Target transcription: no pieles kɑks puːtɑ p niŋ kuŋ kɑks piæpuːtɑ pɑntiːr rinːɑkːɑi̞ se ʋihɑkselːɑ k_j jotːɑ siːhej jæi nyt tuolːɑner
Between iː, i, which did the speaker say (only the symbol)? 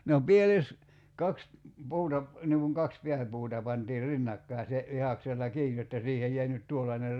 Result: iː